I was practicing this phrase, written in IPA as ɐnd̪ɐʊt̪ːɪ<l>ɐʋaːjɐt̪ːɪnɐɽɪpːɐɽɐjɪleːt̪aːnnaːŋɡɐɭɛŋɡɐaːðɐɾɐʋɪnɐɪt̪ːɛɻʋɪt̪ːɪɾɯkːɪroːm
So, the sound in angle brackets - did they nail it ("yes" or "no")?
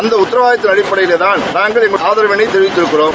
no